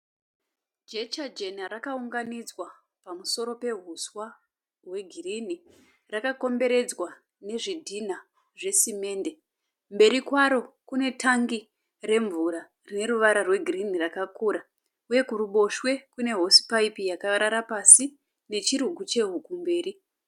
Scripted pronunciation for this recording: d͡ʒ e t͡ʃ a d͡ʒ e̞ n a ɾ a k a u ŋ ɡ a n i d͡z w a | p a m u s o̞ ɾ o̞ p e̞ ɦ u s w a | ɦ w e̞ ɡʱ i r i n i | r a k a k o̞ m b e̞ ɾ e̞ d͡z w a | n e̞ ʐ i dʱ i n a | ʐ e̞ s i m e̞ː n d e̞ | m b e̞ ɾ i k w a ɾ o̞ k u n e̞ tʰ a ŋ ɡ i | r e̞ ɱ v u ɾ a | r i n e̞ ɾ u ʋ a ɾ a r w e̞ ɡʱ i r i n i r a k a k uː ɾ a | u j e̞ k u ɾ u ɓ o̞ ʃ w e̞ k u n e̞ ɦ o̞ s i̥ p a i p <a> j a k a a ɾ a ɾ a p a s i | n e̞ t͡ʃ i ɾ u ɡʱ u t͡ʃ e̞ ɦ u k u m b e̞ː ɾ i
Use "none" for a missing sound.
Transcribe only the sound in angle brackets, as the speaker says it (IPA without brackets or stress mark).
i